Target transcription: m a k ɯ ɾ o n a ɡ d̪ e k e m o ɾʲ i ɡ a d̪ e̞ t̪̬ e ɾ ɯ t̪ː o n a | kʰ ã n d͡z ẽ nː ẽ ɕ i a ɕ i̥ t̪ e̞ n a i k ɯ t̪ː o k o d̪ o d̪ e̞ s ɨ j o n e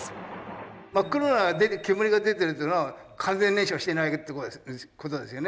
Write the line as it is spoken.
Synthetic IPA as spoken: m a k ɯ ɾ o n a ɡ d̪ e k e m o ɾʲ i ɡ a d̪ e̞ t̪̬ e ɾ ɯ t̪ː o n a | kʰ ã n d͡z ẽ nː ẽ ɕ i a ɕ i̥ t̪ e̞ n a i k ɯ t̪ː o k o t̪ o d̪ e̞ s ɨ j o n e